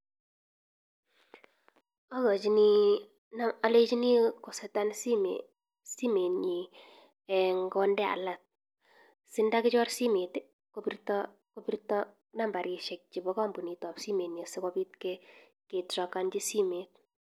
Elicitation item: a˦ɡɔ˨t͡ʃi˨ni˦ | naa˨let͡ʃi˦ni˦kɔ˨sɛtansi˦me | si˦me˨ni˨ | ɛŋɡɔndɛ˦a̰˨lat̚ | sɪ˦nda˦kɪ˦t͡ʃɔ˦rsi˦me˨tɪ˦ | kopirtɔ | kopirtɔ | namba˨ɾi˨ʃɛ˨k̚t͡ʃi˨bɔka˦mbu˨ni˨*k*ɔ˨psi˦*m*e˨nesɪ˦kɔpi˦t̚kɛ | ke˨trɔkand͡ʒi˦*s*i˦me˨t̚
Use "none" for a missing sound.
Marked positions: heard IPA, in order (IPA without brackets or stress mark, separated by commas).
t, m, s